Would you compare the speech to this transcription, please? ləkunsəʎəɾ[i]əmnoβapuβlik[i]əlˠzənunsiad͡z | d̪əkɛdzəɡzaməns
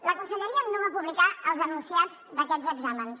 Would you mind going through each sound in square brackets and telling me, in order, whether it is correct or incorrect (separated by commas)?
correct, incorrect